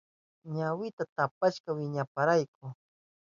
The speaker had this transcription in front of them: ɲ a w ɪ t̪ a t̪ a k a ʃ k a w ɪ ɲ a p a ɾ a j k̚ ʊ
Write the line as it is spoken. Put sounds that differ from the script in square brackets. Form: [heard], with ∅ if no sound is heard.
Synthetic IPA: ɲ a w ɪ t̪ a t̪ a [p] a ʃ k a w ɪ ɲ a p a ɾ a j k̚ ʊ